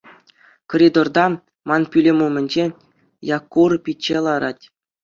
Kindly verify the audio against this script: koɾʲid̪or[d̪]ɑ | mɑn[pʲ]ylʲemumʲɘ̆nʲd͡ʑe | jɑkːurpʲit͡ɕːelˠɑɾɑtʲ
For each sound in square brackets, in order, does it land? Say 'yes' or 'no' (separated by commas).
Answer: yes, yes